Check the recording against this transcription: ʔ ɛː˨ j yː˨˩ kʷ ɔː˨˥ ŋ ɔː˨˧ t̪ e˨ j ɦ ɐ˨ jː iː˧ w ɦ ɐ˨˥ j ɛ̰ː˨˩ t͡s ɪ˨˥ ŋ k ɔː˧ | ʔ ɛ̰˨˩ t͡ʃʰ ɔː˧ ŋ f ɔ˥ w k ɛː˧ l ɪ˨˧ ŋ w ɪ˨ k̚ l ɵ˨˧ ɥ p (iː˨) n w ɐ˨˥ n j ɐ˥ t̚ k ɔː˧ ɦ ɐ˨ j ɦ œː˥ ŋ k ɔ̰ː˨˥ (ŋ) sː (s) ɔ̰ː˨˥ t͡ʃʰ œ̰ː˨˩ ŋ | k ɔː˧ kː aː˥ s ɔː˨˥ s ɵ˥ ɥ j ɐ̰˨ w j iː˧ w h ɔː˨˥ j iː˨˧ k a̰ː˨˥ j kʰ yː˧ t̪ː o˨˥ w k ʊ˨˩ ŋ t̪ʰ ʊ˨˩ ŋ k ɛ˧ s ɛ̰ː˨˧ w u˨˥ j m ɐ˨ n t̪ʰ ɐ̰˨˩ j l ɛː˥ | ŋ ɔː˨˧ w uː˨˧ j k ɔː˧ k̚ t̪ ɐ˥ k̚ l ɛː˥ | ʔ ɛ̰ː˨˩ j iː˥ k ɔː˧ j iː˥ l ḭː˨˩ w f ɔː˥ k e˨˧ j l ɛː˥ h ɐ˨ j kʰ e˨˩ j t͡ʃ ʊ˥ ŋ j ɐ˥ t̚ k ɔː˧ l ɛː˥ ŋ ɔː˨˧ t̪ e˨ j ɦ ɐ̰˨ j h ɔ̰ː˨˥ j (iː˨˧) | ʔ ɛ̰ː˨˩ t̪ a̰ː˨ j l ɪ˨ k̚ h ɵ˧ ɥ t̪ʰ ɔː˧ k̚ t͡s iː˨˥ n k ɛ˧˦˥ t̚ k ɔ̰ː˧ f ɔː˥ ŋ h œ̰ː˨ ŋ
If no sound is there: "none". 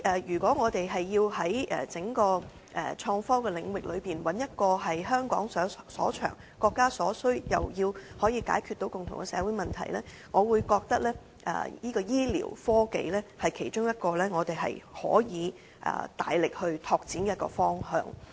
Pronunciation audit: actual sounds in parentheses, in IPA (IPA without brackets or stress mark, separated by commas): iː˨, ŋ, s, iː˨˧